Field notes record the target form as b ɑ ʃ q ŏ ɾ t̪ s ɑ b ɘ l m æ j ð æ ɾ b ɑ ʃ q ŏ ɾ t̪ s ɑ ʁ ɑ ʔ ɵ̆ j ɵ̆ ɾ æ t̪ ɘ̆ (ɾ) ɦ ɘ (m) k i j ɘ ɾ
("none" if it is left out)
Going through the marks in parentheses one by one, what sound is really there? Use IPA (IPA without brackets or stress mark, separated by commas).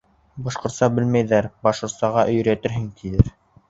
ɾ, ŋ